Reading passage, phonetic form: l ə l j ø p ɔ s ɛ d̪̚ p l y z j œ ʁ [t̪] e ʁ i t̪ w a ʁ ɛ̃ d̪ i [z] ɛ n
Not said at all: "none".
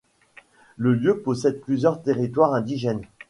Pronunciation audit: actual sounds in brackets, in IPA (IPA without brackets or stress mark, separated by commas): t̪, ʒ